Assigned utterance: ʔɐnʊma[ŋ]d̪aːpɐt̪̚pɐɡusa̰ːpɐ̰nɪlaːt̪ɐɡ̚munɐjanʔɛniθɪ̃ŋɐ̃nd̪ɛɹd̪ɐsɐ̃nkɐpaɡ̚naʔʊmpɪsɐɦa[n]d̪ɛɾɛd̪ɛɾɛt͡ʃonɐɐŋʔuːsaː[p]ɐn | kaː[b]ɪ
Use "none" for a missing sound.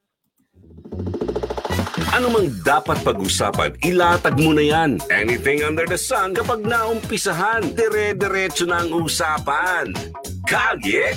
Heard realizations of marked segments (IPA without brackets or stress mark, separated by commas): ŋ, n, p, ɡ